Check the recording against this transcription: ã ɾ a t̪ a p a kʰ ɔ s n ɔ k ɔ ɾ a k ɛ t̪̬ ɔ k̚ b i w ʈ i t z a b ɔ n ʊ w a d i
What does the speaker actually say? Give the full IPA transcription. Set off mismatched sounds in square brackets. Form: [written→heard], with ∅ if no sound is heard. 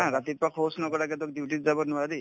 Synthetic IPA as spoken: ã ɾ a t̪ [a→i] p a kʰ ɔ s n ɔ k ɔ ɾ a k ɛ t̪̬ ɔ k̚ [b→d] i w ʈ i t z a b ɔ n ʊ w a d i